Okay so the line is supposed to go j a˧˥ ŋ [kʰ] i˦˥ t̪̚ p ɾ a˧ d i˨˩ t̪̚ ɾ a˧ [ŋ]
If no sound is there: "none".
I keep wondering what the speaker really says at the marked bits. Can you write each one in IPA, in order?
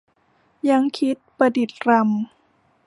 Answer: kʰ, m

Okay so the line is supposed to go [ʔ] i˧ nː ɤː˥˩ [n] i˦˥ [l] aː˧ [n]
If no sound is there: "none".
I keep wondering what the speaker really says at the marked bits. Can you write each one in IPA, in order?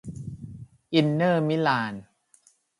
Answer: ʔ, m, l, n

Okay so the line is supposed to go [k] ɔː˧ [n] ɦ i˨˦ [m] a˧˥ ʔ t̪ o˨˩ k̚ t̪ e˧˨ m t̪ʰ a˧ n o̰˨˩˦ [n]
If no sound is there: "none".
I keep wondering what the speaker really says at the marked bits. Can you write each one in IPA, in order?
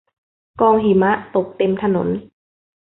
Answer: k, ŋ, m, n

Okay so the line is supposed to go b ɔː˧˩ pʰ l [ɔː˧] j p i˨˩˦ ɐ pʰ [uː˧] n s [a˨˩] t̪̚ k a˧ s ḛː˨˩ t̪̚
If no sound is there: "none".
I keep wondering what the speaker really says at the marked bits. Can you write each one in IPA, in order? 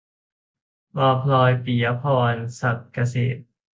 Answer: ɔː˧, ɔː˧, a˨˩

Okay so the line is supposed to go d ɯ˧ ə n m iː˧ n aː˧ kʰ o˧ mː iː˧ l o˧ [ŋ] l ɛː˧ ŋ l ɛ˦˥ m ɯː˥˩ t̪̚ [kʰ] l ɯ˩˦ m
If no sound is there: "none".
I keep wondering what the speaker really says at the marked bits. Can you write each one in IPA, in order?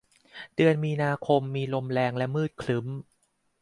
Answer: m, kʰ

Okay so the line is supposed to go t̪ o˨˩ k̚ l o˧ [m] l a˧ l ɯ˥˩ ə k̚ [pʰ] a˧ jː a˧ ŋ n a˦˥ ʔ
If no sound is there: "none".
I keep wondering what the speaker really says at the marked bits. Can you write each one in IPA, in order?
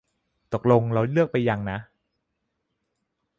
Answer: ŋ, p

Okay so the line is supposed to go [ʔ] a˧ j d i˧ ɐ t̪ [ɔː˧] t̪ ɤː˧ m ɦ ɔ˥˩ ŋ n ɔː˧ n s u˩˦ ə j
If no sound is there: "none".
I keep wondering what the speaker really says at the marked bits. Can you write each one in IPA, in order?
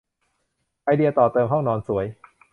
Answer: ʔ, ɔː˨˩

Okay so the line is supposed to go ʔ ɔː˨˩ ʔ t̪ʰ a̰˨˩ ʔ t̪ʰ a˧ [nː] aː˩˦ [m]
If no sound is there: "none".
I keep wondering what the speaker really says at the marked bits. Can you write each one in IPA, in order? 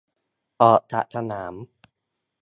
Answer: n, m

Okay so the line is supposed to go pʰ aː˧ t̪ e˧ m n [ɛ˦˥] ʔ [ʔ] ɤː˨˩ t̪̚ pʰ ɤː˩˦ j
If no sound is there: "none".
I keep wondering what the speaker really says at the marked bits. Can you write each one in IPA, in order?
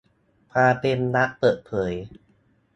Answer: a˦˥, p

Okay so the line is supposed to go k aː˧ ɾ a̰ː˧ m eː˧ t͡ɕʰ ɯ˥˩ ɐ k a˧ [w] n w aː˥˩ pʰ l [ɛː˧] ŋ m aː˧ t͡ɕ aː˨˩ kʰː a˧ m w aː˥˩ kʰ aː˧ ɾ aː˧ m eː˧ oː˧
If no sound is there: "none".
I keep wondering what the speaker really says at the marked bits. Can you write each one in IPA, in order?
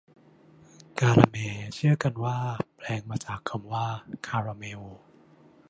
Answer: none, ɛː˧

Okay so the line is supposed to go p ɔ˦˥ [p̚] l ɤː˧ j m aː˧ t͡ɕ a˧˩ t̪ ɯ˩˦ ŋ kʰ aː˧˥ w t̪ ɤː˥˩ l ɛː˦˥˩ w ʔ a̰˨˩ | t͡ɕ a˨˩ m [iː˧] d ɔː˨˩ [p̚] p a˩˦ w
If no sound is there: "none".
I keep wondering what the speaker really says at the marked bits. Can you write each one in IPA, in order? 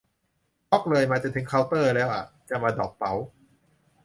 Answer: k̚, aː˧, k̚

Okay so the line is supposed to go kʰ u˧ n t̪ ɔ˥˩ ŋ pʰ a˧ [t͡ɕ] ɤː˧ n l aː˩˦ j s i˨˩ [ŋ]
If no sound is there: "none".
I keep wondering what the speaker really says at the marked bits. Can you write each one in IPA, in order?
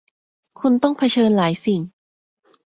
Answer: t͡ɕʰ, ŋ

